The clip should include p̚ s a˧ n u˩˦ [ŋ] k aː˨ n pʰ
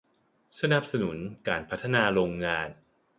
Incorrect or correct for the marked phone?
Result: incorrect: n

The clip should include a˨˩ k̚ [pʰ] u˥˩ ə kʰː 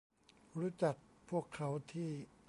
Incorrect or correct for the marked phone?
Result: correct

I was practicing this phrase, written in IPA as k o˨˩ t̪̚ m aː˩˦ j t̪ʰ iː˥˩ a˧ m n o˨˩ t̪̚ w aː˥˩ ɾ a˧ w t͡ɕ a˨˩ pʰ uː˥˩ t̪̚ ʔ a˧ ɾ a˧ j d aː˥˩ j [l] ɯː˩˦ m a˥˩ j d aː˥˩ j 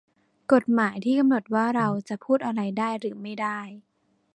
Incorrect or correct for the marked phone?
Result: incorrect: ɾ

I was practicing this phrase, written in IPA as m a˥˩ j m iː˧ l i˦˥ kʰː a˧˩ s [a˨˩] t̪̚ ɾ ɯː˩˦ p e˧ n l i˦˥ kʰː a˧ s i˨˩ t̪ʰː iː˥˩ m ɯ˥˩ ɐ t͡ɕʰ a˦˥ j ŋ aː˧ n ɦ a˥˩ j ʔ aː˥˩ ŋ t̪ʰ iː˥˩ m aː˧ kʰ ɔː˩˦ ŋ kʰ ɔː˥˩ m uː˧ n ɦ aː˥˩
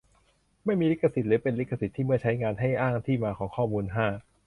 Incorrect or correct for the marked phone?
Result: incorrect: i˨˩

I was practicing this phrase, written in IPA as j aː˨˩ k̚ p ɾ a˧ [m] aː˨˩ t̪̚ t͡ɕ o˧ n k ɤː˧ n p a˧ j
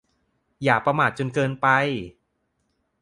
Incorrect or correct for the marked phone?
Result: correct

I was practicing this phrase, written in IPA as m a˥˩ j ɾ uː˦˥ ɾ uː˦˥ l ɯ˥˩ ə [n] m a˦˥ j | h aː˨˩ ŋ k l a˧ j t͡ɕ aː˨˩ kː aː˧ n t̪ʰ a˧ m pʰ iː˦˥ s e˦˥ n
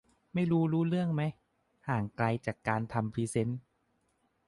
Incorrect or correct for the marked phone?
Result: incorrect: ŋ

